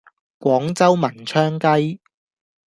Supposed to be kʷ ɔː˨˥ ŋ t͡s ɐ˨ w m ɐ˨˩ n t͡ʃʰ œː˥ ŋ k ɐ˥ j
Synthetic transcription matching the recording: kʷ ɔː˨˥ ŋ t͡s ɐ˥ w m ɐ˨˩ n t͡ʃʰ œː˥ ŋ k ɐ˥ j